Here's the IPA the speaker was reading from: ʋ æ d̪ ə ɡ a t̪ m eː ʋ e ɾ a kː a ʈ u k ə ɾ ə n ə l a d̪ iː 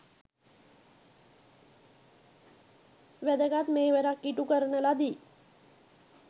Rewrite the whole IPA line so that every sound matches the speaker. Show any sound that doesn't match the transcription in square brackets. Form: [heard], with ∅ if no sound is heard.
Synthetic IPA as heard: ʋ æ d̪ ə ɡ a t̪ m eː ʋ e ɾ a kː [i] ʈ u k ə ɾ ə n ə l a d̪ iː